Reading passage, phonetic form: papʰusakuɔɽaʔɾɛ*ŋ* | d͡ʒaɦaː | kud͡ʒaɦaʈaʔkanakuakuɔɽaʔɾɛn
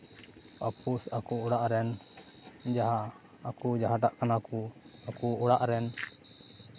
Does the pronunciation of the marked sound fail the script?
yes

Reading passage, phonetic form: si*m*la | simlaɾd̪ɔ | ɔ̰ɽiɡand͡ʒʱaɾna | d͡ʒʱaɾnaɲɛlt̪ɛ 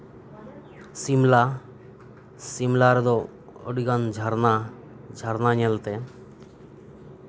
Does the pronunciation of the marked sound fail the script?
no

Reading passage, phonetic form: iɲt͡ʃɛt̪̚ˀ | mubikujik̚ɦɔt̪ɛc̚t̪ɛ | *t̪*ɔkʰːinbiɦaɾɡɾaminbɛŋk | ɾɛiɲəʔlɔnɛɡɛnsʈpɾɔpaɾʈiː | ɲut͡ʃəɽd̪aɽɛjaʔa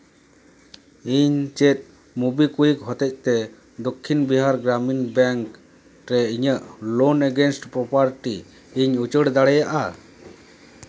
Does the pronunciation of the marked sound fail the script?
yes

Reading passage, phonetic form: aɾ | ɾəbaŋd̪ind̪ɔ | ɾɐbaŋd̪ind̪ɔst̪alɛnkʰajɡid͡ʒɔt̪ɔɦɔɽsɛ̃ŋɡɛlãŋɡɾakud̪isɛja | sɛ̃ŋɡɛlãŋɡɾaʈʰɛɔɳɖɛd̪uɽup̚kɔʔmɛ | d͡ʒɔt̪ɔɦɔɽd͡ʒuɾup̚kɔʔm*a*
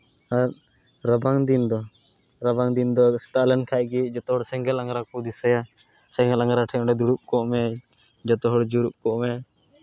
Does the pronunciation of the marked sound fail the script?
yes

